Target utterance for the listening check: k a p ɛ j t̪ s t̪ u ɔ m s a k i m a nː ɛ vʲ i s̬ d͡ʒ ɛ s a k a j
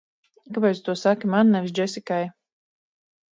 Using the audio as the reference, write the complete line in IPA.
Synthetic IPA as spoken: k a p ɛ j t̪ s t̪ u ɔ s a k i m a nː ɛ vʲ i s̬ d͡ʒ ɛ s i k a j